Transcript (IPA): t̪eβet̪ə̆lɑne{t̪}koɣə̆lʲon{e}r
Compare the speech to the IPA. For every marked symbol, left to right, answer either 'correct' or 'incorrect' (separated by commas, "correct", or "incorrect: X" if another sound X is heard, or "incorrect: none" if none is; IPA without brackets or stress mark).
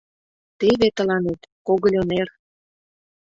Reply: correct, correct